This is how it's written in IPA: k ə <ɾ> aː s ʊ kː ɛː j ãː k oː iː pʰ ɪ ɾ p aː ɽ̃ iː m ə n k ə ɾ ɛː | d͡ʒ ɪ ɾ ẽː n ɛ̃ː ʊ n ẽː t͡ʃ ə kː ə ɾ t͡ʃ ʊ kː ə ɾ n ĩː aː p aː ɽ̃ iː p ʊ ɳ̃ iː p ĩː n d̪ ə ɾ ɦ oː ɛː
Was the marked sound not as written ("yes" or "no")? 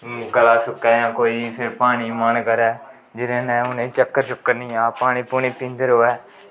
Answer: yes